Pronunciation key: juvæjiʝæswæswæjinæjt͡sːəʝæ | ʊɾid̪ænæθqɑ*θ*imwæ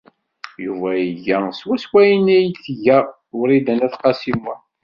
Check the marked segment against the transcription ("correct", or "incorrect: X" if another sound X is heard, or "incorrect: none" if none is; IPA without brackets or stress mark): incorrect: s